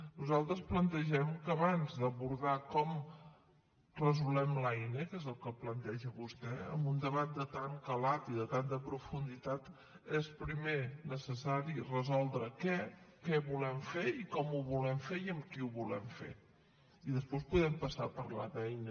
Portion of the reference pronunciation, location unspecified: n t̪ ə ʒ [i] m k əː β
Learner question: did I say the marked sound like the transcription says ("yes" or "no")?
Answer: no